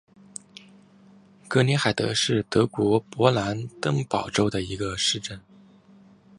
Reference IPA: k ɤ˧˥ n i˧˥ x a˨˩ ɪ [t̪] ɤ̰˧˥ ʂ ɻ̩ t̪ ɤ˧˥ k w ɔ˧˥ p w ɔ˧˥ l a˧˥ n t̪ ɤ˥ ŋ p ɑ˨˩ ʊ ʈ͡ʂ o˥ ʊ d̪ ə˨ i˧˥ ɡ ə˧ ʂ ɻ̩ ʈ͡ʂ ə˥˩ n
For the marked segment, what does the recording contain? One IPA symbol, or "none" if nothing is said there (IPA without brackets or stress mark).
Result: t̪